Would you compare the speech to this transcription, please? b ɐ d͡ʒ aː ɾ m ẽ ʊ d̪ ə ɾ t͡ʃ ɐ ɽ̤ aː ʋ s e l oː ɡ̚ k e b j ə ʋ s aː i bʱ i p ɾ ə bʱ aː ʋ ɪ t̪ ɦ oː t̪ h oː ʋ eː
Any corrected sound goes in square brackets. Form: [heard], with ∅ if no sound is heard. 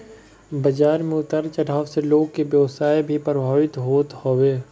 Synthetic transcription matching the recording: b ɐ d͡ʒ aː ɾ m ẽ ʊ [t̪] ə ɾ t͡ʃ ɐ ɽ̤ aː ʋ s e l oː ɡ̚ k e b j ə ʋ s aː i bʱ i p ɾ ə bʱ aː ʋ ɪ t̪ ɦ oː t̪ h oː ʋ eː